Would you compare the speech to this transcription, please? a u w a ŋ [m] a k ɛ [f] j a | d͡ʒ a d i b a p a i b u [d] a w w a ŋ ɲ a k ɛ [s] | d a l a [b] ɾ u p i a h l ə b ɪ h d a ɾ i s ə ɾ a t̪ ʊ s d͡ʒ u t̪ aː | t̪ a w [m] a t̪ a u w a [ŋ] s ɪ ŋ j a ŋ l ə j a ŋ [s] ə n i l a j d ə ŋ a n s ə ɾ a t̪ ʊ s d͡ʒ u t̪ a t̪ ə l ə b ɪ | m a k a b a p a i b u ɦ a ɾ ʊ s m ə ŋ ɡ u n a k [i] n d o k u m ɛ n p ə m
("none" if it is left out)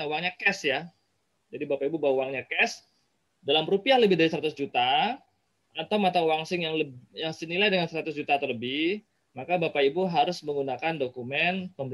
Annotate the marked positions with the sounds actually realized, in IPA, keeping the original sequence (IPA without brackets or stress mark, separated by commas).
ɲ, s, b, s, m, m, ŋ, s, a